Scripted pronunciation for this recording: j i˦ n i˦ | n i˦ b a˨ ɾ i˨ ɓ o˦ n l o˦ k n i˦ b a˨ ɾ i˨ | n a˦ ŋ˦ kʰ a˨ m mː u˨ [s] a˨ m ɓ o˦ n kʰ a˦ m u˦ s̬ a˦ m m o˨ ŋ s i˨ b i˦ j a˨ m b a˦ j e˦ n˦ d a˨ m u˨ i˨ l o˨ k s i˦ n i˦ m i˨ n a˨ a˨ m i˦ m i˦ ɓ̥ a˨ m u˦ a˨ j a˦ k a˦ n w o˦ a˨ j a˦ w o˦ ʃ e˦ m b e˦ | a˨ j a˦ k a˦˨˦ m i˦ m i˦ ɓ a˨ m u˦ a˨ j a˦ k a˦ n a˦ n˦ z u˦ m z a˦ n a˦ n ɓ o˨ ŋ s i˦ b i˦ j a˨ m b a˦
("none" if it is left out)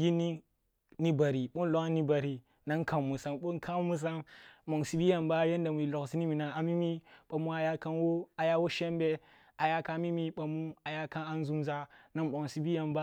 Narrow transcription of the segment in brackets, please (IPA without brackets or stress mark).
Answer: s